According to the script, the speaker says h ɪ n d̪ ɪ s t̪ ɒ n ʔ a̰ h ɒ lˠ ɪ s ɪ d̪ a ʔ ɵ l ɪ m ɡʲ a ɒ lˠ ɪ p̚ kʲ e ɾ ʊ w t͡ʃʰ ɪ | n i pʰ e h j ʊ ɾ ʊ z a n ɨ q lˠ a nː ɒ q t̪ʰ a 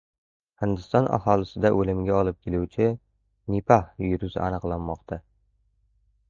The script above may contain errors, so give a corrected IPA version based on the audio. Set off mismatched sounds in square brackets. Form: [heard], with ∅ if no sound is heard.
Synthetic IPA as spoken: h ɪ n d̪ ɪ s t̪ ɒ n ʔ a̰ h ɒ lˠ ɪ s ɪ d̪ a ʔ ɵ l ɪ m ɡʲ a ɒ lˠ ɪ p̚ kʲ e [l] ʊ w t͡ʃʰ ɪ | n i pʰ [a] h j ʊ ɾ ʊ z a n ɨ q lˠ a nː ɒ q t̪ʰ a